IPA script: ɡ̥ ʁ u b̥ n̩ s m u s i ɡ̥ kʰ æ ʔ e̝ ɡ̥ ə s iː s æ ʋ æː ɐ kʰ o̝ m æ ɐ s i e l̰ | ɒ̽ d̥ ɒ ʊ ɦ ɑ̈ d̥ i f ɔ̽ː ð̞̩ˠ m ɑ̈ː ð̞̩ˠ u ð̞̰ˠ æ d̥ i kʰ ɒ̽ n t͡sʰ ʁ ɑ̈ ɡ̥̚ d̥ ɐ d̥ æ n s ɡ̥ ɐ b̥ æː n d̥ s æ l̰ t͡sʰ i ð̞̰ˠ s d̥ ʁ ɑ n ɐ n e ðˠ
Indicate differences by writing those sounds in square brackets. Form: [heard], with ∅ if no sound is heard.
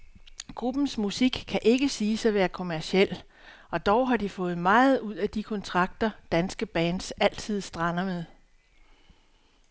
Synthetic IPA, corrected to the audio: ɡ̥ ʁ u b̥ n̩ s m u s i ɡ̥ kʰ æ ʔ e̝ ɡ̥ ə s iː s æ ʋ æː ɐ kʰ o̝ m æ ɐ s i e l̰ | ɒ̽ d̥ ɒ ʊ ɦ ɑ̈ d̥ i f ɔ̽ː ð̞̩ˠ m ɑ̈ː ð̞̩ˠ u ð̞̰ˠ æ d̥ i kʰ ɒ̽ n t͡sʰ ʁ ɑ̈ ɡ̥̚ d̥ ɐ d̥ æ n s ɡ̥ [ə] b̥ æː n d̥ s æ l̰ t͡sʰ i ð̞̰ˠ s d̥ ʁ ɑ n ɐ [m] e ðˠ